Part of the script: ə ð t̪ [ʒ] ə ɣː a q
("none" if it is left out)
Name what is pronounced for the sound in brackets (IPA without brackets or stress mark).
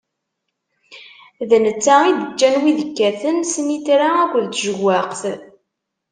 ʒ